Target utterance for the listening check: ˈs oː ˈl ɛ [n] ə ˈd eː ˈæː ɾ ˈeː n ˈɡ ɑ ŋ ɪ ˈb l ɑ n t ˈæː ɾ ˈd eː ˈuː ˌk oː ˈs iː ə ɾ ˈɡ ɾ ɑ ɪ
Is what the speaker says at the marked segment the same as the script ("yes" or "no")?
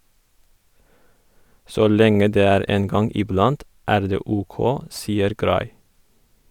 no